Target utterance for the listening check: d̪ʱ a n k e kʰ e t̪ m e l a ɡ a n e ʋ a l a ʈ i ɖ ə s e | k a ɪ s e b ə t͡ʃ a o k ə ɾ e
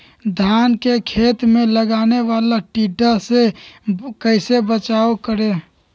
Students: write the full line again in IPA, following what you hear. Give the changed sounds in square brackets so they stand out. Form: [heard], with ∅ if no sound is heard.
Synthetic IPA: d̪ʱ a n k e kʰ e t̪ m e l [ə] ɡ a n e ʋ a l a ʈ i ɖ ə s e | k [ə] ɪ s e b ə t͡ʃ a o k ə ɾ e